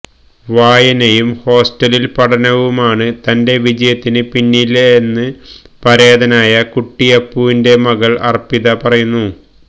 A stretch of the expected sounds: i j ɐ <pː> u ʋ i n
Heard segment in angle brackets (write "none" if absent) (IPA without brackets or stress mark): pː